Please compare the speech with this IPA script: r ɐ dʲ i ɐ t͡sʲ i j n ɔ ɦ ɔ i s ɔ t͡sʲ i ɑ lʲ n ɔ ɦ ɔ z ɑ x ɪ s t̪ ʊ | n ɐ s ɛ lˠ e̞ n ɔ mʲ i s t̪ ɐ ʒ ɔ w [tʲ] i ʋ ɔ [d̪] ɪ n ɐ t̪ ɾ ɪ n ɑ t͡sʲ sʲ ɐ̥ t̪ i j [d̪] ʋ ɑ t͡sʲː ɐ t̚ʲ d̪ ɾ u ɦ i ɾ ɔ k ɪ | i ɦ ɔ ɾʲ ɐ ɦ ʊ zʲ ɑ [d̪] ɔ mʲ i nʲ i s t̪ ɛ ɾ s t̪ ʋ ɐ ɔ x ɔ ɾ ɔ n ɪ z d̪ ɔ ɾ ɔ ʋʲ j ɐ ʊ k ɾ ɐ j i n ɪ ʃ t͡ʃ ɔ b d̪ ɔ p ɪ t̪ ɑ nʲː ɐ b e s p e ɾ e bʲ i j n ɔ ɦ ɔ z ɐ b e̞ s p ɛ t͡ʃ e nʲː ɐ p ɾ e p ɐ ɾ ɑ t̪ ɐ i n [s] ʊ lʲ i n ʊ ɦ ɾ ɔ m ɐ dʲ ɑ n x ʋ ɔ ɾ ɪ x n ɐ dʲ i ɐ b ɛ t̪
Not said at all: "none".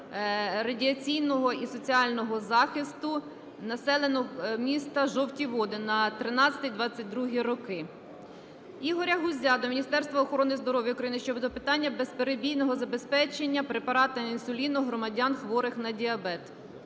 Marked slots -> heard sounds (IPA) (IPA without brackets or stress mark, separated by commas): tʲ, d̪, d̪, d̪, s